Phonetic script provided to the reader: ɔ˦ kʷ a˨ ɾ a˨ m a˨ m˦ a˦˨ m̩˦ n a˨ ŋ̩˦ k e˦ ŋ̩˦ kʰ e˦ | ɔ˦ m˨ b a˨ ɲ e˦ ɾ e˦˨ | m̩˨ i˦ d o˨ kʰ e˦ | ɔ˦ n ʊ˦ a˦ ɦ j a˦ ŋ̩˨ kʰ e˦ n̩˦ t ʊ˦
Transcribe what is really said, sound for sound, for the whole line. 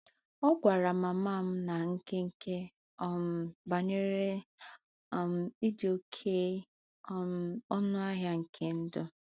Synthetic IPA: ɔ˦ ɡʷ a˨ ɾ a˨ m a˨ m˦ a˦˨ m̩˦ n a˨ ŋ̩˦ k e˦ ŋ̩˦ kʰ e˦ | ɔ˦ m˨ b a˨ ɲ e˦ ɾ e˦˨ | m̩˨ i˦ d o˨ kʰ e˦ | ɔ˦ n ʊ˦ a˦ ɦ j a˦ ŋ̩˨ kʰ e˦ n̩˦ d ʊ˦